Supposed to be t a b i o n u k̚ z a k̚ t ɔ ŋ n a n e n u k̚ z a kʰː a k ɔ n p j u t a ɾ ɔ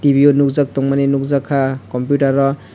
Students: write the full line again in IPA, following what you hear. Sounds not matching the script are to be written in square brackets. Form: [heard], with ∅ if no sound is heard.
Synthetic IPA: t [i] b i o n u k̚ z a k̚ t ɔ ŋ [m] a n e n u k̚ z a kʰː a k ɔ [m] p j u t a ɾ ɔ